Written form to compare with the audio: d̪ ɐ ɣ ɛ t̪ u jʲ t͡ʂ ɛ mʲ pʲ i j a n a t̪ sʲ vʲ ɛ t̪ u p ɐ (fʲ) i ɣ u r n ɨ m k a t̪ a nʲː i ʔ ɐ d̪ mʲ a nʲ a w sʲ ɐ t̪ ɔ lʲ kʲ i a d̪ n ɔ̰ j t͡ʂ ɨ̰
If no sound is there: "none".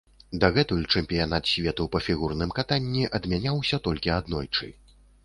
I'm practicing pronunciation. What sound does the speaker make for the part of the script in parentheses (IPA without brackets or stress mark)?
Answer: fʲ